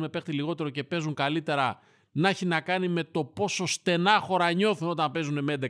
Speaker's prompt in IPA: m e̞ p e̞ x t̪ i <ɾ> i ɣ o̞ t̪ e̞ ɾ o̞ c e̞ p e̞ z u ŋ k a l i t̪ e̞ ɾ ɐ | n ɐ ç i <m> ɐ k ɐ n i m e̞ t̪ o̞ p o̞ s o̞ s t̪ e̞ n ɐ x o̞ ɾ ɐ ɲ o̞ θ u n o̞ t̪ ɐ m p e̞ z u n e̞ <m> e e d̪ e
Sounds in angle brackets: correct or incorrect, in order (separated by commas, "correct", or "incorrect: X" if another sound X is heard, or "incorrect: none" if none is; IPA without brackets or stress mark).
incorrect: l, incorrect: n, correct